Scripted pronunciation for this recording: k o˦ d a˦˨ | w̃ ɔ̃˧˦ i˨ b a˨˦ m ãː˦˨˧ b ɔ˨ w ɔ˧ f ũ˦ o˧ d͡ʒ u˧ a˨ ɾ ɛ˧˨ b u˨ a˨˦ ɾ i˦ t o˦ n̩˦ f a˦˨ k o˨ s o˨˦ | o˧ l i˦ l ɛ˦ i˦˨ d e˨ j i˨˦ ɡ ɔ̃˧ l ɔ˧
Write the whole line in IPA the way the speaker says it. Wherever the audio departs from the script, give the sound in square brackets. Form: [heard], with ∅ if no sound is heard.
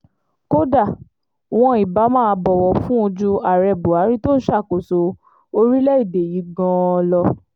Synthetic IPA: k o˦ d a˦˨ | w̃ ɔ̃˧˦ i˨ b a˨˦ m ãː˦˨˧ b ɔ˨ w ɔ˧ f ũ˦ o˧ d͡ʒ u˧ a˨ ɾ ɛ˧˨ b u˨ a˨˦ ɾ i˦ t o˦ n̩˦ [ʃ] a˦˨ k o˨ s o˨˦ | o˧ [ɾ] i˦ l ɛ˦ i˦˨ d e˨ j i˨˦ ɡ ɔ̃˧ l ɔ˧